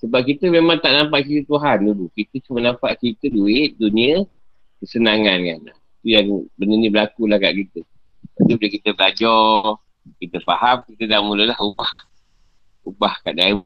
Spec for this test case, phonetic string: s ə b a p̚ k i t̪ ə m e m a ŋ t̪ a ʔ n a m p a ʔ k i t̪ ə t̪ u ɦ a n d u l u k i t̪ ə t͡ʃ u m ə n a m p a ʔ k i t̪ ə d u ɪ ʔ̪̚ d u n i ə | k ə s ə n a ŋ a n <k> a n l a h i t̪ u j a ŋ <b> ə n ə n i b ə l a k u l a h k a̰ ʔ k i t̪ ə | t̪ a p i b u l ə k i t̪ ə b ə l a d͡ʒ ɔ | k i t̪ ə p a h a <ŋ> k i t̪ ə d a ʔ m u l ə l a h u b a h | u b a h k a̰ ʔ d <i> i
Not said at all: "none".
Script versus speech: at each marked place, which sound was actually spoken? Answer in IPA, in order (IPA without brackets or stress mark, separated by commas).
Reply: k, b, m, a